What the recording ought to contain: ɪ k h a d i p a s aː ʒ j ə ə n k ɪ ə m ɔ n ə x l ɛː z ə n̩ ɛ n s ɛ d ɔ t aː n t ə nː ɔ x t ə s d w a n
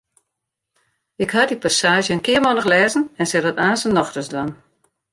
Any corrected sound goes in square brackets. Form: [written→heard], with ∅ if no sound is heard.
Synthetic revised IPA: ɪ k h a d i p a s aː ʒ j ə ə n k ɪ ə m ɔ n ə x l ɛː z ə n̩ ɛ n s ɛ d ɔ t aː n [t→s] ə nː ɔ x t ə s d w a n